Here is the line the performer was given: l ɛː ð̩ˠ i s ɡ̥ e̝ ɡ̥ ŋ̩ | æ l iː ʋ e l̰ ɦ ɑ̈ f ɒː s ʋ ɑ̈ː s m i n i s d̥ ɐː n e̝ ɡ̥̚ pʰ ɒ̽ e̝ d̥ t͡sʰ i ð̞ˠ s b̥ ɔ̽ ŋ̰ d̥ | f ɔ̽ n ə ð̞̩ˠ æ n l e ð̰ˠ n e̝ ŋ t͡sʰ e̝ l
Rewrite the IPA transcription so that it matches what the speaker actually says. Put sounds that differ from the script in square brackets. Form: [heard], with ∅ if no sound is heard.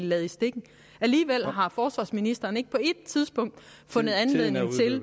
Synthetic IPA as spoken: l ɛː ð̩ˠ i s [d̥] e̝ ɡ̥ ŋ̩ | æ l iː ʋ e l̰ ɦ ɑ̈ f ɒː s ʋ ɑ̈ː s m i n i s d̥ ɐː n e̝ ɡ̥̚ pʰ ɒ̽ e̝ d̥ t͡sʰ i ð̞ˠ s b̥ ɔ̽ ŋ̰ d̥ | f ɔ̽ n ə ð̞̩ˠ æ n l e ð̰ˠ n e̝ ŋ t͡sʰ e̝ l

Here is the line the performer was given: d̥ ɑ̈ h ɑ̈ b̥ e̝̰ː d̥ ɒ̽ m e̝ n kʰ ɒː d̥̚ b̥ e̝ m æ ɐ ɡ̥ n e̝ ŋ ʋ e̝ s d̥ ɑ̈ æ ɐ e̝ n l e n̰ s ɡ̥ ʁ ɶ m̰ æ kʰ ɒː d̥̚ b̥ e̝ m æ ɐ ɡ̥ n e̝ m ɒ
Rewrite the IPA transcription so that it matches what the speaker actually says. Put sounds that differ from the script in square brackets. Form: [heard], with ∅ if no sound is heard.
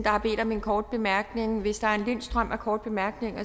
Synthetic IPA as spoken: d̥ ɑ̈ h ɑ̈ b̥ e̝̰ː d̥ ɒ̽ m e̝ n kʰ ɒː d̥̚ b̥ e̝ m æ ɐ ɡ̥ n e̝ ŋ ʋ e̝ s d̥ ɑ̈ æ ɐ e̝ n l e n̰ s [d̥] ʁ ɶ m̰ æ kʰ ɒː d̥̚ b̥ e̝ m æ ɐ ɡ̥ n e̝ [ŋ] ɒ

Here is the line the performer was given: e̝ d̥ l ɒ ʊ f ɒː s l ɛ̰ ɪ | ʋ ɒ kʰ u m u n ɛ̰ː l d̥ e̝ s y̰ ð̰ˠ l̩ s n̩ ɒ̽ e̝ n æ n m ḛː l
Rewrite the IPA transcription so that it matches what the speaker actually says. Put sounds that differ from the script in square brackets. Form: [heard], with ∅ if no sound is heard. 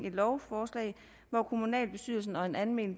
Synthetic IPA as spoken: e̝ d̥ l ɒ ʊ f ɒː s l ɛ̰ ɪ | ʋ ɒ kʰ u m u n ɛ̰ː l [b̥] e̝ s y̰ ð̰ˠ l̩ s n̩ ɒ̽ e̝ n æ n m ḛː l

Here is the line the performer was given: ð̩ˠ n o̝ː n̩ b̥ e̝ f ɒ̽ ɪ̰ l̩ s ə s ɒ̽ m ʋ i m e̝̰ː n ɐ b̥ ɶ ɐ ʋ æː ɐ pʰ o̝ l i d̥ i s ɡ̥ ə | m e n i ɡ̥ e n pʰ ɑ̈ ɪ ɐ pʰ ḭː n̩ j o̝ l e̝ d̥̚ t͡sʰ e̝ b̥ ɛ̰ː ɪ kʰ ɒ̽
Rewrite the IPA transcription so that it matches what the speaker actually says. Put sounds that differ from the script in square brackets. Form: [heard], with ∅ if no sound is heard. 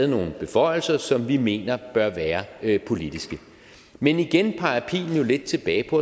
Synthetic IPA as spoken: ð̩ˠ n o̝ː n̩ b̥ e̝ f ɒ̽ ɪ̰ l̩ s [ɐ] s ɒ̽ m ʋ i m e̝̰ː n ɐ b̥ ɶ ɐ ʋ æː ɐ pʰ o̝ l i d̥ i s ɡ̥ ə | m e n i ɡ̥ e n pʰ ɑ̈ ɪ ɐ pʰ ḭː n̩ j o̝ l e̝ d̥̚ t͡sʰ e̝ b̥ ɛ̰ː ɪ [pʰ] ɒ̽

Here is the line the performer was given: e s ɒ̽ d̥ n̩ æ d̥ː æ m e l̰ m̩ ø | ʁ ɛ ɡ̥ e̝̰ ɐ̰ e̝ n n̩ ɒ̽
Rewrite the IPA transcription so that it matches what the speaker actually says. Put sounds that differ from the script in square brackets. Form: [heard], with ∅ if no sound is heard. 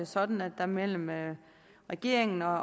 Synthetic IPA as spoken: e s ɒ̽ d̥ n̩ æ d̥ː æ m e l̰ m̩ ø | ʁ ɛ ɡ̥ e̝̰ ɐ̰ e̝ [ŋ] n̩ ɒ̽

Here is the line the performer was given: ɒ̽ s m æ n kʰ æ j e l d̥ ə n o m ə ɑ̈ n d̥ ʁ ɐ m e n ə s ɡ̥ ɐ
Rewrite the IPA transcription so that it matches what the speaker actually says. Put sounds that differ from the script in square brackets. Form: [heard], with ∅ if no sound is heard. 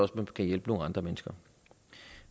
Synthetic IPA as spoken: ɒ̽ s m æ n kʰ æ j e l [b̥] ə n o [ŋ] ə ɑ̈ n d̥ ʁ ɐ m e n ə s ɡ̥ ɐ

